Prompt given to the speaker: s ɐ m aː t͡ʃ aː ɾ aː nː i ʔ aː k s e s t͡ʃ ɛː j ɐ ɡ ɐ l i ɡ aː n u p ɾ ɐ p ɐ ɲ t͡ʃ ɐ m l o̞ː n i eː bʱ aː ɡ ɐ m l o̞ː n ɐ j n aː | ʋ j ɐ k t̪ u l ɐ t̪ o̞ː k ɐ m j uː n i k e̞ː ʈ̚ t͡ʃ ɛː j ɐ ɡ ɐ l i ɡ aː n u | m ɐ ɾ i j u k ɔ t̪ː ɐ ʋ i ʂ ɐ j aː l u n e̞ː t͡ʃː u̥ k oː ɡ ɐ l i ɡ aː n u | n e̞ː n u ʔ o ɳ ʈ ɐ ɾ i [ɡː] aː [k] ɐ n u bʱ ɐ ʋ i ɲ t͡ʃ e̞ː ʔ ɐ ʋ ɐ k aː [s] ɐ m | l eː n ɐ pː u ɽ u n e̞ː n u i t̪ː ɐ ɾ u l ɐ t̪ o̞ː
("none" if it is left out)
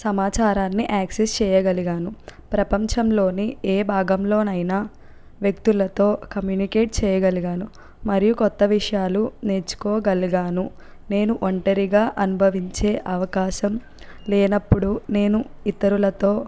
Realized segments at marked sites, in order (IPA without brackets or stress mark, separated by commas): ɡ, ʔ, ʃ